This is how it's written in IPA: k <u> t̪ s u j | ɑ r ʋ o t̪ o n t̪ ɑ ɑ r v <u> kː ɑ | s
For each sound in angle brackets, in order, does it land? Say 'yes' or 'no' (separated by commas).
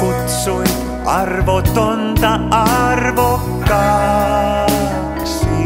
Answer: yes, no